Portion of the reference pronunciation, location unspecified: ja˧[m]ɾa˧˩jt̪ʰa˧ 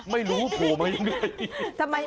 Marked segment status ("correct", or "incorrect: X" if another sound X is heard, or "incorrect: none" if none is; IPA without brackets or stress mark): incorrect: ŋ